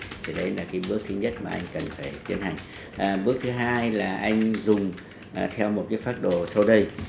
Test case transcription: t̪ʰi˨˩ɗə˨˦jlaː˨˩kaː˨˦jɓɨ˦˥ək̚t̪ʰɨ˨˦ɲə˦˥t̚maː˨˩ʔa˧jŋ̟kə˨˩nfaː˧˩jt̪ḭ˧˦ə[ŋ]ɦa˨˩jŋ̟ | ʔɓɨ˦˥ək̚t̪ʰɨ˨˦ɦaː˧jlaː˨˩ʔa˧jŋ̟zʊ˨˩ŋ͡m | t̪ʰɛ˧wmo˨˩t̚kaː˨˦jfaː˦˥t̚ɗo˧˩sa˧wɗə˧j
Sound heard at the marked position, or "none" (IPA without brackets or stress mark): n